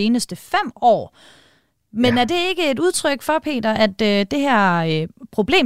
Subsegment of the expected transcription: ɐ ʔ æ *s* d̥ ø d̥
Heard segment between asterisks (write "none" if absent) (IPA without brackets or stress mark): none